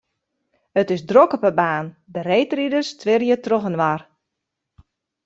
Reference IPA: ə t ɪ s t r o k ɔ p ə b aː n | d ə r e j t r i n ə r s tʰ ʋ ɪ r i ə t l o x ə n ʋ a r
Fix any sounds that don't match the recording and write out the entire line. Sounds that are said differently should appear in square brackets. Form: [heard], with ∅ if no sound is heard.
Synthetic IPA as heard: ə t ɪ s [d] r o k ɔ p ə b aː n | d ə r e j t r i [d] ə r s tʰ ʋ ɪ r [j] ə t [r] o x ə n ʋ a r